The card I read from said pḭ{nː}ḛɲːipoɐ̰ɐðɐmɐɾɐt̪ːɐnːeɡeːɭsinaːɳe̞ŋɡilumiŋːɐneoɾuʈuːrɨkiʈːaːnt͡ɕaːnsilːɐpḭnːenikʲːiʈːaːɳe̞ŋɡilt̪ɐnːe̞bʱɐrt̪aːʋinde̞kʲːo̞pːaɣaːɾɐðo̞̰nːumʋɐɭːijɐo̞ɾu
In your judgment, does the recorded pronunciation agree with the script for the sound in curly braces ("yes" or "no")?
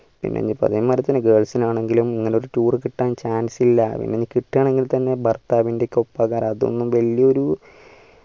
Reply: yes